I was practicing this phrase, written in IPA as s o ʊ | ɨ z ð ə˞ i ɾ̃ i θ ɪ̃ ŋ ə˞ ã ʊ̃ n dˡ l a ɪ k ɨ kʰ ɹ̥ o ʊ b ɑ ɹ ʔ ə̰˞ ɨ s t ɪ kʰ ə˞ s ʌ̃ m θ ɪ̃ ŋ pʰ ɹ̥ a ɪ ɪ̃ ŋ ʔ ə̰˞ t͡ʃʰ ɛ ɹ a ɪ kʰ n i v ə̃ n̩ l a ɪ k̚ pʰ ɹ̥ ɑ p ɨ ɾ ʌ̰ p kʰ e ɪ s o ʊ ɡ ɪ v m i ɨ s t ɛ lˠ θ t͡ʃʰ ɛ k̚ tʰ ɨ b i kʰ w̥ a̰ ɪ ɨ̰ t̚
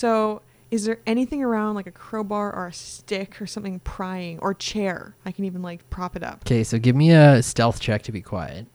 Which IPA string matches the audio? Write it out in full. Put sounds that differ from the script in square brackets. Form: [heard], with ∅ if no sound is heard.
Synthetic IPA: s o ʊ | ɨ z ð ə˞ [ɛ] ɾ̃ i θ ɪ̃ ŋ ə˞ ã ʊ̃ n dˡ l a ɪ k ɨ kʰ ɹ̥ o ʊ b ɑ ɹ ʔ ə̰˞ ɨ s t ɪ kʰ ə˞ s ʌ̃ m θ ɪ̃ ŋ pʰ ɹ̥ a ɪ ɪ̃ ŋ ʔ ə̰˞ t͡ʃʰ ɛ ɹ a ɪ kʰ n i v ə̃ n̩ l a ɪ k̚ pʰ ɹ̥ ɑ p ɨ ɾ ʌ̰ p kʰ e ɪ s o ʊ ɡ ɪ v m i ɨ s t ɛ lˠ θ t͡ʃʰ ɛ k̚ tʰ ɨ b i kʰ w̥ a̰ ɪ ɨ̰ t̚